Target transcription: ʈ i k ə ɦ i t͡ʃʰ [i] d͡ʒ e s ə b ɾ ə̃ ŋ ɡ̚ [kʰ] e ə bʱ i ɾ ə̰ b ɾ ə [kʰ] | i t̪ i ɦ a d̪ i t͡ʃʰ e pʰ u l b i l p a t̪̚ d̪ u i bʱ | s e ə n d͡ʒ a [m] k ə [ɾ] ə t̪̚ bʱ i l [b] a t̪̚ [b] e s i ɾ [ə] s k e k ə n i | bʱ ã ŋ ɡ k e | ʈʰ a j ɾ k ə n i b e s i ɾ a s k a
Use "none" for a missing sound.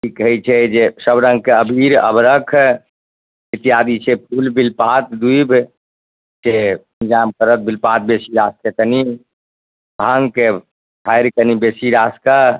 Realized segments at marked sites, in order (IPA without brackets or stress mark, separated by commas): ɛ, k, kʰ, m, ɾ, p, b, a